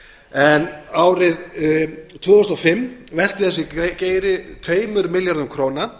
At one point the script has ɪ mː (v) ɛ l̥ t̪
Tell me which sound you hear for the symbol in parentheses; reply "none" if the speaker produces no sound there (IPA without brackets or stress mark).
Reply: v